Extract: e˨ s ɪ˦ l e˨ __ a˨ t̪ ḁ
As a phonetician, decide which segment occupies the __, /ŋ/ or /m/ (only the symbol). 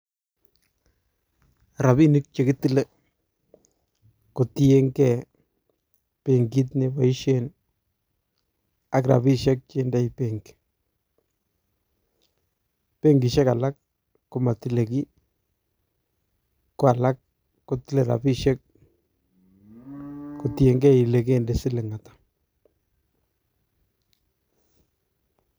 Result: ŋ